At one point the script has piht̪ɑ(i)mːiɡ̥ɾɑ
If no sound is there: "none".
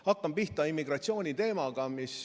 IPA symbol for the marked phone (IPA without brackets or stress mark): i